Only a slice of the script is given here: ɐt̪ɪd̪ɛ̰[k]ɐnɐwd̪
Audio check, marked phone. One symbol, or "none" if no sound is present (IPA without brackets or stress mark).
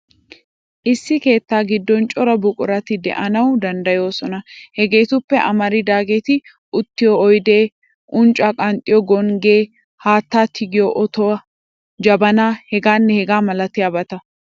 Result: ʔ